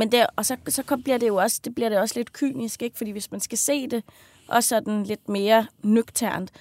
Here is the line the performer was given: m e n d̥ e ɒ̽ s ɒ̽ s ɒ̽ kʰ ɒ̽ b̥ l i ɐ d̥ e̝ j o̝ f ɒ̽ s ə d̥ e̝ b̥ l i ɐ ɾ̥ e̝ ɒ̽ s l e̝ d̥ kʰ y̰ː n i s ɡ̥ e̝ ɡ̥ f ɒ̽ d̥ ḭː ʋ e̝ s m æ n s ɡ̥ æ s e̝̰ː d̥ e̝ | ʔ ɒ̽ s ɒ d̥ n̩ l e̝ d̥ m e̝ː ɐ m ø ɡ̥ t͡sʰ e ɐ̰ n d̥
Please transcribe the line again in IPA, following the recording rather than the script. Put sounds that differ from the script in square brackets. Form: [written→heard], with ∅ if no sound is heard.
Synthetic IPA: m e n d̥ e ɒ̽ s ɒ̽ s ɒ̽ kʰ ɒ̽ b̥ l i ɐ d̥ e̝ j o̝ [f→∅] ɒ̽ s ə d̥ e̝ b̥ l i ɐ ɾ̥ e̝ ɒ̽ s l e̝ d̥ kʰ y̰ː n i s ɡ̥ e̝ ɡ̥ f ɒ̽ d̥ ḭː ʋ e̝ s m æ n s ɡ̥ æ s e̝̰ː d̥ e̝ | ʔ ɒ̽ s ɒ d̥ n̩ l e̝ d̥ m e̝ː ɐ [m→n] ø ɡ̥ t͡sʰ [e→æ] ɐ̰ n d̥